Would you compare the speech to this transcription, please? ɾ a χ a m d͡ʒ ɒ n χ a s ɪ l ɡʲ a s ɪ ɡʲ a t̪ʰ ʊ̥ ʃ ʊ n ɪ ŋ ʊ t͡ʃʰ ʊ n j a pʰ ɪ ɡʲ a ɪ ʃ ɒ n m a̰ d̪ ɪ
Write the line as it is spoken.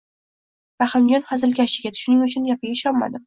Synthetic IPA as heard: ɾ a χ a m d͡ʒ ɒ n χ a z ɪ l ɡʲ a ʃ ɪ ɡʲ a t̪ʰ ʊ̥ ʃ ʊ n ɪ ŋ ʊ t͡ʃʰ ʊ n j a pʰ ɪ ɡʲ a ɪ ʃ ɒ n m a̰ d̪ ɪ